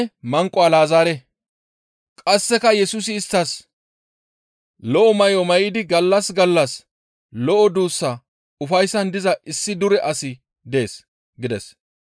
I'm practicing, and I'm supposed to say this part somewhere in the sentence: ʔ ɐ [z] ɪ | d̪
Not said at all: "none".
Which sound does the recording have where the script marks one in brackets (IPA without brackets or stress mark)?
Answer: s